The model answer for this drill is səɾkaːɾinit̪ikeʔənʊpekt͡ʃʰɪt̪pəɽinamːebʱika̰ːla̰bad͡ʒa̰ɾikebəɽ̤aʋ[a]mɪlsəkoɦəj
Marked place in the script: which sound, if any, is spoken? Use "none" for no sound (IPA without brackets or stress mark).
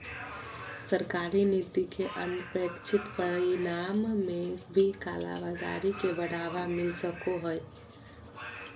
a